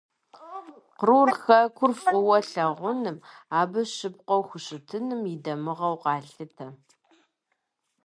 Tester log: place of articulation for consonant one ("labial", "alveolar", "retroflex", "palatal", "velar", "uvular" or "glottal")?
uvular